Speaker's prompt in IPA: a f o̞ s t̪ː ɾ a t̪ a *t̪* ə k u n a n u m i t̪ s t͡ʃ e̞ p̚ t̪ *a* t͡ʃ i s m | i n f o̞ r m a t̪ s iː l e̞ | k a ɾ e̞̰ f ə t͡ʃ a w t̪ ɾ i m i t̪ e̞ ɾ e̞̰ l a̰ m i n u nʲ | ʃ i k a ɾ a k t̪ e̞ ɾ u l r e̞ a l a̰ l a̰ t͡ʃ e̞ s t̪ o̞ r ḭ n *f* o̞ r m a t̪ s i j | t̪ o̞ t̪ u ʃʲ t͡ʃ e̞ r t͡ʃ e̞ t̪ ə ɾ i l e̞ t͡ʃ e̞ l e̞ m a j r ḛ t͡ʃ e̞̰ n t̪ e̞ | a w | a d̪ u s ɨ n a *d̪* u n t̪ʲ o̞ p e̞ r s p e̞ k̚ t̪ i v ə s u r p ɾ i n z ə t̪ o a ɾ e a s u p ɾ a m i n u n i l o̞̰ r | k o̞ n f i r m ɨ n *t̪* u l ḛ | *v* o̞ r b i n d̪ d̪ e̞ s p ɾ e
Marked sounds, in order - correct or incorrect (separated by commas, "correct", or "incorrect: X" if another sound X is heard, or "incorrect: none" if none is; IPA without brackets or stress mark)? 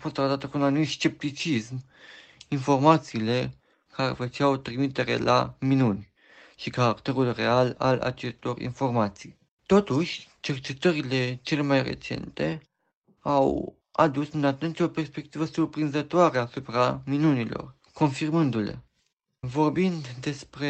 correct, incorrect: i, correct, incorrect: t̪, incorrect: d̪, correct